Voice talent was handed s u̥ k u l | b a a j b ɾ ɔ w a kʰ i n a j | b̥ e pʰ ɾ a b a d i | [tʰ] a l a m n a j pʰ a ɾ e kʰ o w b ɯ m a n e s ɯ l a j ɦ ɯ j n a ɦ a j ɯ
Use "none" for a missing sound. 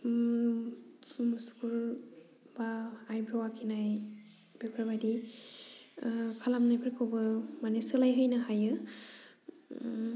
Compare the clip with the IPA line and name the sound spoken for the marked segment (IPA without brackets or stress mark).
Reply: kʰ